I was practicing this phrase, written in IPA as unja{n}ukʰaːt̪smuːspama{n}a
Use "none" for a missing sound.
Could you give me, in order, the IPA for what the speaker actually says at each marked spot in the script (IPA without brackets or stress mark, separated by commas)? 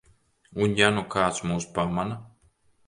n, n